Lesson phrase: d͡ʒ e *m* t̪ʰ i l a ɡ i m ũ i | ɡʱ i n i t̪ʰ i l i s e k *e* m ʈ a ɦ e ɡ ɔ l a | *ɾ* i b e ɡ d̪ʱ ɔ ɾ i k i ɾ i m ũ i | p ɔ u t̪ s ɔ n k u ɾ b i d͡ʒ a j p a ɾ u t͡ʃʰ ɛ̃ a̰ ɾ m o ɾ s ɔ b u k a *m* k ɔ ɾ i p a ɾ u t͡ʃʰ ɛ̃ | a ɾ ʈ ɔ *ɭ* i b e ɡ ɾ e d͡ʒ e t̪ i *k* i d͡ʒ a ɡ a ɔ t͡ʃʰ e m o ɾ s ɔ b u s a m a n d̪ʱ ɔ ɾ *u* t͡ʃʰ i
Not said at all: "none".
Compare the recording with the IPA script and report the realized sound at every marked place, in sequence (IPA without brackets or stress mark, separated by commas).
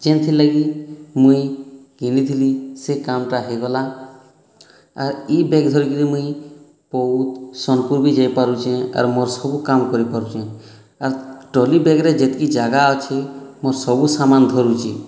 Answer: n, a, ɾ, m, l, k, u